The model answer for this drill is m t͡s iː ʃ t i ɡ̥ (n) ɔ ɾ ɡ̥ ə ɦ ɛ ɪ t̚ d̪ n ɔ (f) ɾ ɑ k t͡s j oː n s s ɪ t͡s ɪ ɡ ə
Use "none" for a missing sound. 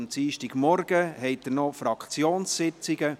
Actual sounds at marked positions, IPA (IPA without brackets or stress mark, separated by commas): m, f